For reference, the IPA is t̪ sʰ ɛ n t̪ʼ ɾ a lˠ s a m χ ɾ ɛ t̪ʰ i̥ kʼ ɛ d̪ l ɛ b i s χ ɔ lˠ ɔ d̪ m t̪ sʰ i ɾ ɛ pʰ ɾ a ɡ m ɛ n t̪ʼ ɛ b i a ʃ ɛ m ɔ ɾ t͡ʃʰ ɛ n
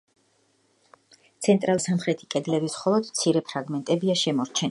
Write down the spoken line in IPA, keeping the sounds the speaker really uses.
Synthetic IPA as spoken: t̪ sʰ ɛ n t̪ʼ ɾ a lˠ s a m χ ɾ ɛ t̪ʰ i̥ kʼ ɛ d̪ l ɛ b i s χ ɔ lˠ ɔ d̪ m t̪ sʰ i ɾ ɛ pʰ ɾ a ɡ m ɛ n t̪ʼ ɛ b i a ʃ ɛ m ɔ ɾ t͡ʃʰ ɛ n